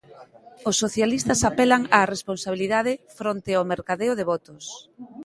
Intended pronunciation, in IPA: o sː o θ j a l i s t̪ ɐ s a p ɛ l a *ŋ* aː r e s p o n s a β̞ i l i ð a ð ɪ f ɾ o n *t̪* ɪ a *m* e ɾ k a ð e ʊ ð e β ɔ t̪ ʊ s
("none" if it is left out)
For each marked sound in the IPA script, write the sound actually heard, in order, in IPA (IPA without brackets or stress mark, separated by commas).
ŋ, t̪, m